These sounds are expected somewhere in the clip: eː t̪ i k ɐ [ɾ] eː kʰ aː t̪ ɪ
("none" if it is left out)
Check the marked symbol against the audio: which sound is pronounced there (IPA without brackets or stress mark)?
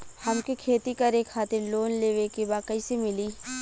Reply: ɾ